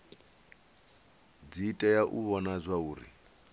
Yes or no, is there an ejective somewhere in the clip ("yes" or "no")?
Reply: yes